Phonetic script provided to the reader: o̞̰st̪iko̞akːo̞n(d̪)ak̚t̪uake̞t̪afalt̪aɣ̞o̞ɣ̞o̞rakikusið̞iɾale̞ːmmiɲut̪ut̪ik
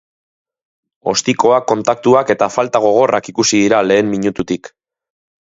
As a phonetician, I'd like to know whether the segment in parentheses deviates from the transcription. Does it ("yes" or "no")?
yes